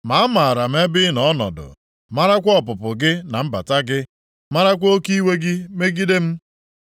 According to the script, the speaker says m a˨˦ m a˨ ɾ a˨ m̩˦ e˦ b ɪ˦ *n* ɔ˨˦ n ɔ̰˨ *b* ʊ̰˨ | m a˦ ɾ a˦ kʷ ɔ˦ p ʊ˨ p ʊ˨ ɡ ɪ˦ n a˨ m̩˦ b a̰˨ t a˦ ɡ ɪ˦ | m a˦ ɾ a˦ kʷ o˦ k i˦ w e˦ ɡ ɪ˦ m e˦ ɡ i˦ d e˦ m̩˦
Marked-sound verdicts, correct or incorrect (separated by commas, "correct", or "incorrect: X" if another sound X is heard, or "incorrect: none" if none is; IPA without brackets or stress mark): correct, incorrect: d